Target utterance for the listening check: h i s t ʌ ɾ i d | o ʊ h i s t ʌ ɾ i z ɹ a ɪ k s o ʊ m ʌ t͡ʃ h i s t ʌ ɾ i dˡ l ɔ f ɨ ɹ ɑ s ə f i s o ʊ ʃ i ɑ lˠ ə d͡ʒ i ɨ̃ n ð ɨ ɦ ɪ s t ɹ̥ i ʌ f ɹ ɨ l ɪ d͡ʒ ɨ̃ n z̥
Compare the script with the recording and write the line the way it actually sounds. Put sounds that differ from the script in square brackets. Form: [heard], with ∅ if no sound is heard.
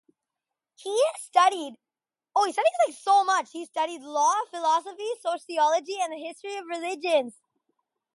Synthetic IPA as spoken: h i s t ʌ ɾ i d | o ʊ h i s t ʌ ɾ i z [l] a ɪ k s o ʊ m ʌ t͡ʃ h i s t ʌ ɾ i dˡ l ɔ f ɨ [l] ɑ s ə f i s o ʊ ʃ i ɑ lˠ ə d͡ʒ i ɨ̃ n ð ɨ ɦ ɪ s t ɹ̥ i ʌ [v] ɹ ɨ l ɪ d͡ʒ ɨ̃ n z̥

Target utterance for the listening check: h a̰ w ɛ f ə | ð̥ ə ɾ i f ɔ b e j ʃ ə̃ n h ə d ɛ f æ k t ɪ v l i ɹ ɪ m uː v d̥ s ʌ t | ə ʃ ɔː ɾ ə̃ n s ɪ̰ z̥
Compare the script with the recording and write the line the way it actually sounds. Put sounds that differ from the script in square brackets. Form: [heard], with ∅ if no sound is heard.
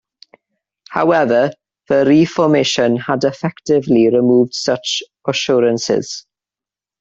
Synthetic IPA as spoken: h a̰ w ɛ [v] ə | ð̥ ə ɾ i f ɔ [m] e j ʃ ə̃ n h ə d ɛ f [ɛ] k t ɪ v l i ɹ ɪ m uː v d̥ s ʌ [t͡ʃ] | ə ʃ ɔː ɾ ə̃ n s ɪ̰ z̥

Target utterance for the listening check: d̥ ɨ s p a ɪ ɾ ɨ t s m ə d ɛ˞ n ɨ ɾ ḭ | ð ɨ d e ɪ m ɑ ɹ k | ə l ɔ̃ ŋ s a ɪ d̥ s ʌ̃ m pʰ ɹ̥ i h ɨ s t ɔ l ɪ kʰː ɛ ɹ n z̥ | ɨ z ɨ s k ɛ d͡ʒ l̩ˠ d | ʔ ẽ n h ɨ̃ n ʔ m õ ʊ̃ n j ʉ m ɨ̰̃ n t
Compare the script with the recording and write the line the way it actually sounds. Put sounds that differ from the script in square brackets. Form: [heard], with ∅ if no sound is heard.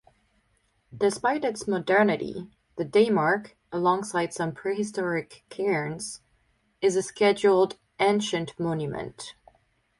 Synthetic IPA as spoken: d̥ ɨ s p a ɪ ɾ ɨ t s m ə d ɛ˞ n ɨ ɾ ḭ | ð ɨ d e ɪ m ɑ ɹ k | ə l ɔ̃ ŋ s a ɪ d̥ s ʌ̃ m pʰ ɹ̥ i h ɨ s t ɔ [ɹ] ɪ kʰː ɛ ɹ n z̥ | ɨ z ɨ s k ɛ d͡ʒ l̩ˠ d | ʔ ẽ n [ʃ] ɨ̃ n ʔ m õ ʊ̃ n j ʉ m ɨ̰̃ n t

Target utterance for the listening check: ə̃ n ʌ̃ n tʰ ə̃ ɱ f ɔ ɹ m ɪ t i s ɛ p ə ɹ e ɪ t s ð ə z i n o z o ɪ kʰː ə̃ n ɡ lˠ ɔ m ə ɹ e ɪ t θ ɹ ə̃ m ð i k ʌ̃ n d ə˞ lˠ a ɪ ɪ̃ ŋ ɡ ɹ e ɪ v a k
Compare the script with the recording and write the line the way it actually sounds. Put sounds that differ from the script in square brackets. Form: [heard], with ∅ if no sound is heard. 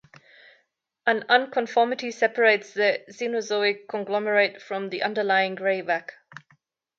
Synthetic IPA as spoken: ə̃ n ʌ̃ n [kʰ] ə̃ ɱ f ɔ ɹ m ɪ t i s ɛ p ə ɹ e ɪ t s ð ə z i n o z o ɪ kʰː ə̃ n ɡ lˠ ɔ m ə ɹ e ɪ t [f] ɹ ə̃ m ð i [ʔ] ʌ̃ n d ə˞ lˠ a ɪ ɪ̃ ŋ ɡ ɹ e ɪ v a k

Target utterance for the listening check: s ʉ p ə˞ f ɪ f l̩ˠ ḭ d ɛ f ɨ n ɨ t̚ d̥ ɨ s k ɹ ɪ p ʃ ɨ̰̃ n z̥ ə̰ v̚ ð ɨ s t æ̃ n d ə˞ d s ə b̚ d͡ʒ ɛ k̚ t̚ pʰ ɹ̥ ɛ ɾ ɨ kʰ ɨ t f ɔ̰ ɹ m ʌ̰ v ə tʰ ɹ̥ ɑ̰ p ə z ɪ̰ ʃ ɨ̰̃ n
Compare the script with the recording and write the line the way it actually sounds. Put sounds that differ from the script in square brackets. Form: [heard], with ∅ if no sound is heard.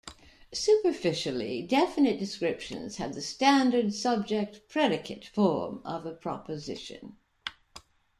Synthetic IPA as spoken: s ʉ p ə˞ f ɪ [ʃ] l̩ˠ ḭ d ɛ f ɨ n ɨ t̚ d̥ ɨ s k ɹ ɪ p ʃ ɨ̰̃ n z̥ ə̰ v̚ ð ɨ s t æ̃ n d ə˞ d s [ʌ] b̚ d͡ʒ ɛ k̚ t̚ pʰ ɹ̥ ɛ ɾ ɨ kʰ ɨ t f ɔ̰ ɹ m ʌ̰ v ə [pʰ] ɹ̥ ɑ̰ p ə z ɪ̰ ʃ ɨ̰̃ n

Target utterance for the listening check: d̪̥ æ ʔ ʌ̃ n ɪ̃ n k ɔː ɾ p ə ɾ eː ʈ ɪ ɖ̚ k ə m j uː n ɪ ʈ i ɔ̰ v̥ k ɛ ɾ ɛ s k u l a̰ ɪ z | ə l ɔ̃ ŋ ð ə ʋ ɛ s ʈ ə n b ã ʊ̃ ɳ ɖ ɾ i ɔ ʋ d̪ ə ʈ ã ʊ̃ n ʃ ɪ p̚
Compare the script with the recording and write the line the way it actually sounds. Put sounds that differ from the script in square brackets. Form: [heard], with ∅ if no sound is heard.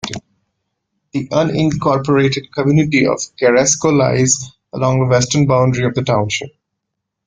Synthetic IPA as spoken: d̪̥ [i] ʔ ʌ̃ n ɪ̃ n k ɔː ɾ p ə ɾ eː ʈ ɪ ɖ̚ k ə m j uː n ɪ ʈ i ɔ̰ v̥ k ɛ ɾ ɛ s k [o] l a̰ ɪ z | ə l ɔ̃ ŋ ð ə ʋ ɛ s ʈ ə n b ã ʊ̃ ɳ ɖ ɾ i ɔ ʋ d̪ ə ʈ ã ʊ̃ n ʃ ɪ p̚

